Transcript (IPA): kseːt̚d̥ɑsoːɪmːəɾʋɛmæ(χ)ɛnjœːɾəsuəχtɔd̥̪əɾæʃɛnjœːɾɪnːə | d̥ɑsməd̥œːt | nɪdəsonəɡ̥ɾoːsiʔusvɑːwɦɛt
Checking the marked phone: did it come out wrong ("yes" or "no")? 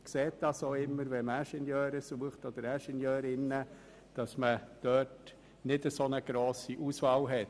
yes